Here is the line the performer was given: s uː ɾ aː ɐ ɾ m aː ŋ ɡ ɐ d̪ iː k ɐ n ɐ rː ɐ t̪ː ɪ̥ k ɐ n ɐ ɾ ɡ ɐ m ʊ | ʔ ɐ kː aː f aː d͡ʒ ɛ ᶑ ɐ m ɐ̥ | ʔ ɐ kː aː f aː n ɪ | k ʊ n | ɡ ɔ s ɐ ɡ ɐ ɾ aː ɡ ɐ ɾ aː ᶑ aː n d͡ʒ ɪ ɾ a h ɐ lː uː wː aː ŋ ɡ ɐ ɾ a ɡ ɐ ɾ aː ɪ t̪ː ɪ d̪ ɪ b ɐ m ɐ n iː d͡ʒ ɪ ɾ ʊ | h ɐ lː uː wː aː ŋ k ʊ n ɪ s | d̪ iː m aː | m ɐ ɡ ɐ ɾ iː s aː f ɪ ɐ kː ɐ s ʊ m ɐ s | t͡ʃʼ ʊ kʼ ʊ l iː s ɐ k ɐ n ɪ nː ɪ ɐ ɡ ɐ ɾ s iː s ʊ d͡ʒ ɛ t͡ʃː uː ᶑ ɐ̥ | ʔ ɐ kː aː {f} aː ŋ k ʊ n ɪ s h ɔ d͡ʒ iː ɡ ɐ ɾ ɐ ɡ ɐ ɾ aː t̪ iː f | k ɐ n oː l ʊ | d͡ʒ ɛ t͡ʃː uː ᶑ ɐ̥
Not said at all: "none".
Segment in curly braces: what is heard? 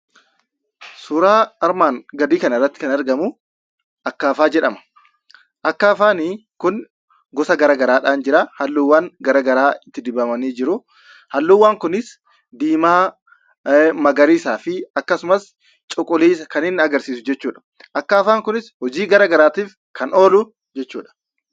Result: f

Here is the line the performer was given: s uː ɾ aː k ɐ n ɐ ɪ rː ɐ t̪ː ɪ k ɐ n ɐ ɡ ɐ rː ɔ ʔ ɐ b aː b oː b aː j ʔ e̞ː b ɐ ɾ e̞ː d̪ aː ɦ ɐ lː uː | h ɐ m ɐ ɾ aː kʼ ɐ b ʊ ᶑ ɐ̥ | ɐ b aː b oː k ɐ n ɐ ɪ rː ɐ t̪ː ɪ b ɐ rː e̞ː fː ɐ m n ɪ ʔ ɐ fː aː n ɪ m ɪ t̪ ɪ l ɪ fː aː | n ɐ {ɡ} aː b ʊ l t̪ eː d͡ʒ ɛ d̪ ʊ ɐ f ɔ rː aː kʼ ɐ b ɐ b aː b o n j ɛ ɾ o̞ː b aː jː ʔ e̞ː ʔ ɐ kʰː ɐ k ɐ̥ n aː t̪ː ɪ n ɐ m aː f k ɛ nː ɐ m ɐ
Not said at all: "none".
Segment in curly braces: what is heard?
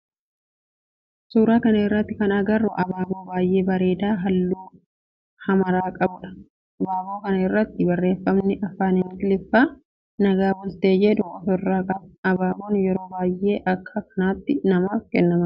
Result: ɡ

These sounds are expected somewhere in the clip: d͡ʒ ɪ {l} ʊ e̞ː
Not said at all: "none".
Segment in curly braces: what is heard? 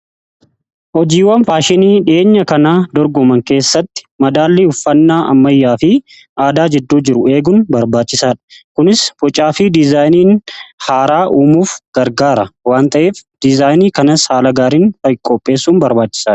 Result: ɾ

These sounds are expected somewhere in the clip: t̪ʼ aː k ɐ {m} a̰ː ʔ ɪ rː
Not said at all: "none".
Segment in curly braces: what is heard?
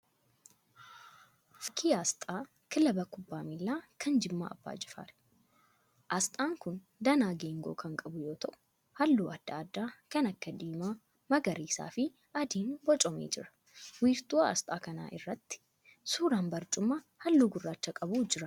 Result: n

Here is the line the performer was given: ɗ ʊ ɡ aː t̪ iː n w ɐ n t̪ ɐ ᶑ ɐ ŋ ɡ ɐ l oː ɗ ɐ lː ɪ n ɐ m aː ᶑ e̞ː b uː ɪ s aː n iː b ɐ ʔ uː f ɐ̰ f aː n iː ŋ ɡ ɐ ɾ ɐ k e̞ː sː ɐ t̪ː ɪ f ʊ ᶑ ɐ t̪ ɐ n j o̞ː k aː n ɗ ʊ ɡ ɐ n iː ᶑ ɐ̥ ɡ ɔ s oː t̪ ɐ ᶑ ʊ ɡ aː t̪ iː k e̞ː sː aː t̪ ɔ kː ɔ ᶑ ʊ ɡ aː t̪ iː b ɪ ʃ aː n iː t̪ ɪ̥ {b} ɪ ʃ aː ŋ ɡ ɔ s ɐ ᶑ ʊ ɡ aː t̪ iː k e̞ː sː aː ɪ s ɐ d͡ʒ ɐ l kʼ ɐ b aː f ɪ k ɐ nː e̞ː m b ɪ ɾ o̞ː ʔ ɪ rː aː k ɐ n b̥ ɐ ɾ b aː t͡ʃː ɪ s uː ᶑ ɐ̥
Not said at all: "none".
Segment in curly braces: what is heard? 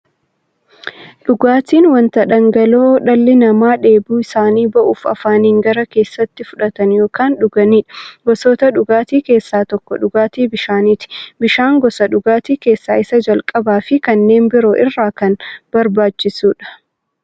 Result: b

